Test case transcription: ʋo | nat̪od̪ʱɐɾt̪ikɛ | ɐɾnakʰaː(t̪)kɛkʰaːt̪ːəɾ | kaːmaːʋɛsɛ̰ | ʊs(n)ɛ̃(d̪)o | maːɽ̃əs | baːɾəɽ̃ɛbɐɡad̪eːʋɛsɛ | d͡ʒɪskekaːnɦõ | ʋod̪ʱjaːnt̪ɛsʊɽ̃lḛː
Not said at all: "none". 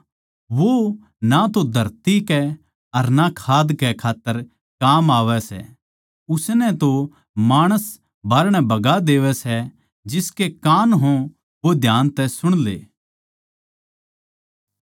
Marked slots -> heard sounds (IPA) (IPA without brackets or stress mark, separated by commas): d̪, n, t̪